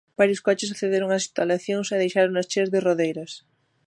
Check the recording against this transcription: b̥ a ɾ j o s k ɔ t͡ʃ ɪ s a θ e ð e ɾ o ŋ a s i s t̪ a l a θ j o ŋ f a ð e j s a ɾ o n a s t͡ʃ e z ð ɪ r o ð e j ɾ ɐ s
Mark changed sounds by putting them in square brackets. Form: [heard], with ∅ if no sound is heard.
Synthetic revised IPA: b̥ a ɾ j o s k ɔ t͡ʃ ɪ s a θ e ð e ɾ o ŋ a s i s t̪ a l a θ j o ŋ [s] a ð e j [ʃ] a ɾ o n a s t͡ʃ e z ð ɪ r o ð e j ɾ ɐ s